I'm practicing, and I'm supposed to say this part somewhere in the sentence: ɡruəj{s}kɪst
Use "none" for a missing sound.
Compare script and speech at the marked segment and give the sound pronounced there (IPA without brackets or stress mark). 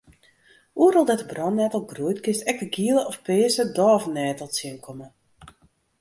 t